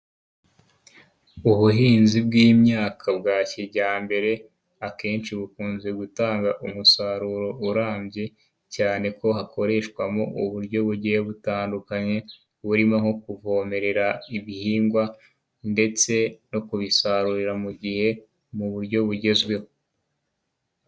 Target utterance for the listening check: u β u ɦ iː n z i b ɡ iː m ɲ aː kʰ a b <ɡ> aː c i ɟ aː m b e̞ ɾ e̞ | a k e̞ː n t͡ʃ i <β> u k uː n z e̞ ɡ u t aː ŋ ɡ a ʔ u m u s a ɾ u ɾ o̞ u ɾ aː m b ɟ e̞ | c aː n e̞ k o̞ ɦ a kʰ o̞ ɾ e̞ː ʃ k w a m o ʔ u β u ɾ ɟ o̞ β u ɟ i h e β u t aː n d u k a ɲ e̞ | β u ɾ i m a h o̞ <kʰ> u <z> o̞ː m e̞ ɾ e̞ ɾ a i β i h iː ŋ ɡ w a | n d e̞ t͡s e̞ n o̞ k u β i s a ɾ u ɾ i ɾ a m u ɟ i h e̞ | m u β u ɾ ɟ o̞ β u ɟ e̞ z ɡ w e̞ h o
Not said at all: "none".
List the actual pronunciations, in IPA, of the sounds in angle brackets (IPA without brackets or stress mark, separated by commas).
ɡ, β, k, v